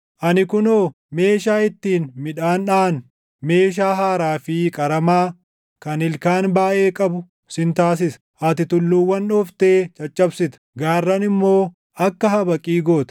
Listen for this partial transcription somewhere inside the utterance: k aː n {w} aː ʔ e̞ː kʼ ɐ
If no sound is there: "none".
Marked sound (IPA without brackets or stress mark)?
b